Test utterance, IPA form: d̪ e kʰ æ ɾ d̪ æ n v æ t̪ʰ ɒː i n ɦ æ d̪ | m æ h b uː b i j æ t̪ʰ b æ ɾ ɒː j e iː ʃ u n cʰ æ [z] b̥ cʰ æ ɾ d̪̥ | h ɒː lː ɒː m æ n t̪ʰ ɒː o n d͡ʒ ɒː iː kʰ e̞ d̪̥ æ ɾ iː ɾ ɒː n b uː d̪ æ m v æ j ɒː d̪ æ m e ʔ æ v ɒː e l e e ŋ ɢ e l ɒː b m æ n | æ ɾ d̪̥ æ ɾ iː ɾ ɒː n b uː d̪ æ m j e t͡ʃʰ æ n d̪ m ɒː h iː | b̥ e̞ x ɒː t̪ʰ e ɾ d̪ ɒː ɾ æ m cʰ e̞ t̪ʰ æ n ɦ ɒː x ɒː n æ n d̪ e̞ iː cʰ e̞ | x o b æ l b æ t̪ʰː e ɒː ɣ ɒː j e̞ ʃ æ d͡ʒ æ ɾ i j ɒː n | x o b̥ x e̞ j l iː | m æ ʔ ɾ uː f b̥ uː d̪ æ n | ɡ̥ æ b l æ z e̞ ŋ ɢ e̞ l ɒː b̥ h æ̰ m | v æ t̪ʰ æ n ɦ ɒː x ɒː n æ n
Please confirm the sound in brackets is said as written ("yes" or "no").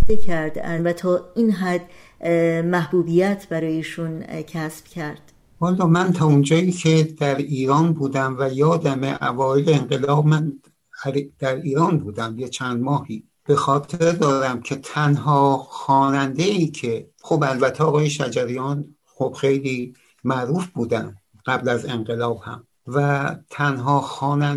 no